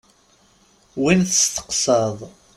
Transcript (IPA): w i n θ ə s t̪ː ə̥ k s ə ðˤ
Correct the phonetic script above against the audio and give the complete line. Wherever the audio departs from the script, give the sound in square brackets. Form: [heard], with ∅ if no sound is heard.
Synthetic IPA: w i n θ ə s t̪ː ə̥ [q] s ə ðˤ